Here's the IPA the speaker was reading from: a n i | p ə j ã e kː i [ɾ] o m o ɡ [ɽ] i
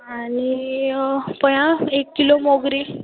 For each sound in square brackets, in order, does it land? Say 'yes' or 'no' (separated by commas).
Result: no, no